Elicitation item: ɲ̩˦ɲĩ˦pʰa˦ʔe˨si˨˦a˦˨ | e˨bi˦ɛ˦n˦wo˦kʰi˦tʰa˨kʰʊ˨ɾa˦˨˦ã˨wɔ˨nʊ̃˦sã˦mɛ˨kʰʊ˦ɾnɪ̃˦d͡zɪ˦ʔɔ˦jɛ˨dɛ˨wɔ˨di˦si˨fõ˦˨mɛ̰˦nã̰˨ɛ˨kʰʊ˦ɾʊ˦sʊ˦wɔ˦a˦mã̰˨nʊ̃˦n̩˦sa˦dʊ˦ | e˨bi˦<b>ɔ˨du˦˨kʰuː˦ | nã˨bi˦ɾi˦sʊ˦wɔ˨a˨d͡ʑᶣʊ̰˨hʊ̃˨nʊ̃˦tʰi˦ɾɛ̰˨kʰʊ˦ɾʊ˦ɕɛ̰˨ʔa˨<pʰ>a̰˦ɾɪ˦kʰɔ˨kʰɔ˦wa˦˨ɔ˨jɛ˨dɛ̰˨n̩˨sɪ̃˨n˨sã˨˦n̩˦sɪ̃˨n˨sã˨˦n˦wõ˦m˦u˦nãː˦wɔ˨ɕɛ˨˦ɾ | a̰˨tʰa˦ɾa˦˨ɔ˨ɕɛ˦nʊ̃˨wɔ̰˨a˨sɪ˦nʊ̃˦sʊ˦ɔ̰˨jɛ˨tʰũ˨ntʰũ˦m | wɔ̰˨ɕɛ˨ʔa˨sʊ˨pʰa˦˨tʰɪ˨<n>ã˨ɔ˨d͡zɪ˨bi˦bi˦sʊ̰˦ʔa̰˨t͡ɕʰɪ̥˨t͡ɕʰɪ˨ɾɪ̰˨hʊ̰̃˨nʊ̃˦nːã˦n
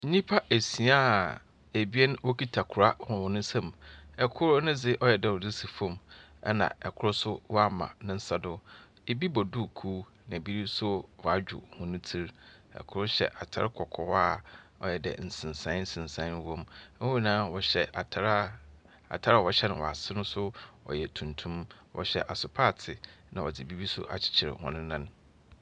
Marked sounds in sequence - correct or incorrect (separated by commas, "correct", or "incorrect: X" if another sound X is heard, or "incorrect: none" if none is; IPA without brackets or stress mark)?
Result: correct, incorrect: tʰ, correct